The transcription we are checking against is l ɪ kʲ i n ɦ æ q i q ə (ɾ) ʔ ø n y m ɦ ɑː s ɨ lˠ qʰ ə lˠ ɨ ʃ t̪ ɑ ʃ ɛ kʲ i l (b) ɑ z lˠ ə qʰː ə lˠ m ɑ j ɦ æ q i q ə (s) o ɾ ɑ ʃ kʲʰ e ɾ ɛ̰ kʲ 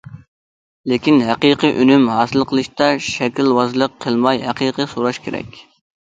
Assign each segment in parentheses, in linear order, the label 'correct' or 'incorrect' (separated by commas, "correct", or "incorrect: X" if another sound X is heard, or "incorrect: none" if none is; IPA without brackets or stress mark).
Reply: incorrect: none, incorrect: w, correct